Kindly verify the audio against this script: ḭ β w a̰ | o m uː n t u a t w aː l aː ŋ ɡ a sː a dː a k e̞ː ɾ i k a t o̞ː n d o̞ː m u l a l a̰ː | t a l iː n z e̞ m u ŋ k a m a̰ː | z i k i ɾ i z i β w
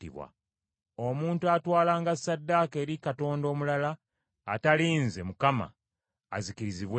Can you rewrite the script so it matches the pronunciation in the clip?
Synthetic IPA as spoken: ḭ β w a̰ | o m uː n t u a t w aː l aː ŋ ɡ a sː a dː a k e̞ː ɾ i k a t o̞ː n d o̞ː m u l a l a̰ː | t a l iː n z e̞ m u k a m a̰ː | z i k i ɾ i z i β w